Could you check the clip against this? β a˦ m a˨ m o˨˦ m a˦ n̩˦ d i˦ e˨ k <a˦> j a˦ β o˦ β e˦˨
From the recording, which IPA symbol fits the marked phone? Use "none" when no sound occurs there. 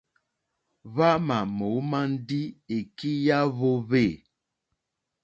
i˦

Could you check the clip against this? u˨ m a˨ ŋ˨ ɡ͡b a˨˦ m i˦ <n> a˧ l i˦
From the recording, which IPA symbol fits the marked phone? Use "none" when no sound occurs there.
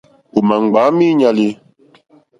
ɲ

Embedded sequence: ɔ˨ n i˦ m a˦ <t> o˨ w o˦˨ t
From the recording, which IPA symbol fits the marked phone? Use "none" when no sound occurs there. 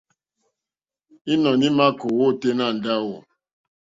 k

